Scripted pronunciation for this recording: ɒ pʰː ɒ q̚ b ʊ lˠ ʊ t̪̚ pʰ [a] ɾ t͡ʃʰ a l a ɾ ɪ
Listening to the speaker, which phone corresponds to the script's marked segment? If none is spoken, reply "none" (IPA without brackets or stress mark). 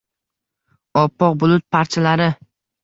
a